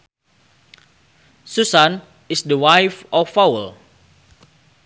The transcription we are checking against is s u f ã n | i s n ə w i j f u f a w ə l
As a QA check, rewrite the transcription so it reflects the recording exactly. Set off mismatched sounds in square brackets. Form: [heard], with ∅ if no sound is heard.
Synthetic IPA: s u [s] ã n | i s [d] ə w [a] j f [ɔ] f a w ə l